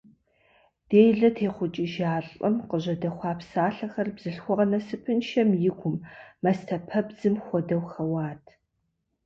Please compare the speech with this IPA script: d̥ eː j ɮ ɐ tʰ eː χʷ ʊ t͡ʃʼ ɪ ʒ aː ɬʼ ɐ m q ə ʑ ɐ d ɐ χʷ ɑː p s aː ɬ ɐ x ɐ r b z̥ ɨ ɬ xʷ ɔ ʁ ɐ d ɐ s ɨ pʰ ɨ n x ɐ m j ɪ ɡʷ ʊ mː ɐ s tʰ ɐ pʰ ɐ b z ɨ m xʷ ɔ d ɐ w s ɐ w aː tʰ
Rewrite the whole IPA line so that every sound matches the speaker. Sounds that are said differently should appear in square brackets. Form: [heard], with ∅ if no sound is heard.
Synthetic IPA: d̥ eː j ɮ ɐ tʰ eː χʷ ʊ t͡ʃʼ ɪ ʒ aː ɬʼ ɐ m q ə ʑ ɐ d ɐ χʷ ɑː p s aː ɬ ɐ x ɐ r b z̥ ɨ ɬ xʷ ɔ ʁ ɐ [n] ɐ s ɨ pʰ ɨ n [ʃ] ɐ m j ɪ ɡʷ ʊ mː ɐ s tʰ ɐ pʰ ɐ b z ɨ m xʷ ɔ d ɐ w [x] ɐ w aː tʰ